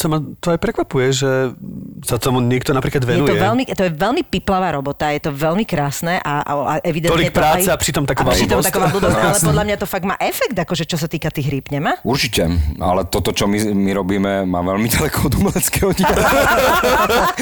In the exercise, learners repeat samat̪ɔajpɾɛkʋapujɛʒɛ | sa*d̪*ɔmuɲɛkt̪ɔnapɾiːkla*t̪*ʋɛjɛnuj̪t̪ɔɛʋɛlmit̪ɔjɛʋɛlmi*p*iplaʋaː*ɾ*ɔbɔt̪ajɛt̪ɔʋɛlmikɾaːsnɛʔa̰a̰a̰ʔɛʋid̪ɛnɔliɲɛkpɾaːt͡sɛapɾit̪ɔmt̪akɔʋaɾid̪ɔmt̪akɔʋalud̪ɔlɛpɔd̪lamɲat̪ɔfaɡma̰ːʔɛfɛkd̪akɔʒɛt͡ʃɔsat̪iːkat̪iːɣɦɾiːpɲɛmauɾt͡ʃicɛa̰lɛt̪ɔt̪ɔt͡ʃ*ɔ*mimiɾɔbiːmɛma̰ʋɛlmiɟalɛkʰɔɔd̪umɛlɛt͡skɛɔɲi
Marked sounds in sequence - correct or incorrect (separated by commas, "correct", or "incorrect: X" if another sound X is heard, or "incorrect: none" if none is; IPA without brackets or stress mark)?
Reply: incorrect: t̪, incorrect: d̪, correct, correct, correct